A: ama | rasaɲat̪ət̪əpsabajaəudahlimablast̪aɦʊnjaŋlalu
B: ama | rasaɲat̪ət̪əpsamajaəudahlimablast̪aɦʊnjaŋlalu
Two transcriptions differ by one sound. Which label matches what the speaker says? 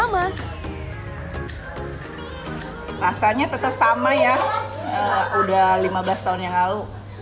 B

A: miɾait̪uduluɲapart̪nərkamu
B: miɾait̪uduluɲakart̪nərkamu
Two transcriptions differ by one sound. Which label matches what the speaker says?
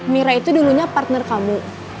A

